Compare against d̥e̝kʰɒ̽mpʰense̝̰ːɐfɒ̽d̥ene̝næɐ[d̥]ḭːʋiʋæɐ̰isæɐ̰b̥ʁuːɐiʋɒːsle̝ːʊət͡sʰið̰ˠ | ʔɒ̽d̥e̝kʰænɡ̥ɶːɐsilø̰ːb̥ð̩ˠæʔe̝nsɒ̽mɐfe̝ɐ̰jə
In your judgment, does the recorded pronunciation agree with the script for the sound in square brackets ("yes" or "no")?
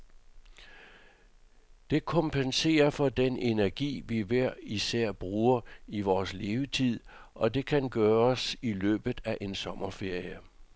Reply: no